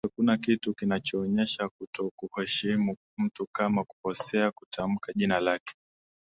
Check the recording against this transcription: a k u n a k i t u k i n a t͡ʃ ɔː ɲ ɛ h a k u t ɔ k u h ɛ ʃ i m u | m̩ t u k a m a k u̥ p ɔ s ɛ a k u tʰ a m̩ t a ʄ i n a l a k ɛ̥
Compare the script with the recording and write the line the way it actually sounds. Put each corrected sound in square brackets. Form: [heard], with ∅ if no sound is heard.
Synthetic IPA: a k u n a k i t u k i n a t͡ʃ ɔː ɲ ɛ [ʃ] a k u t ɔ k u h ɛ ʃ i m u | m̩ t u k a m a k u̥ p ɔ s ɛ a k u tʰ a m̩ [k] a ʄ i n a l a k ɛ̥